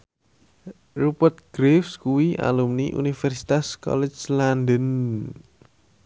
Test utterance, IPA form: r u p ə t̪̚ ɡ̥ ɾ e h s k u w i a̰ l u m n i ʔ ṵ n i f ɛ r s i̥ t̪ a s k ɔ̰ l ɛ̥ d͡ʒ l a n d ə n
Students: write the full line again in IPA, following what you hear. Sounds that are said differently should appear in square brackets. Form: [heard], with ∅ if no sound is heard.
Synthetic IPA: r u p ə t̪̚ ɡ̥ ɾ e [f] s k u w i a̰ l u m n i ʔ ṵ n i f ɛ r s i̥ t̪ a s k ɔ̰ l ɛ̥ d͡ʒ l a n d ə n